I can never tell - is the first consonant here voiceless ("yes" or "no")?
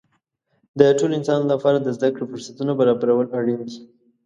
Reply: no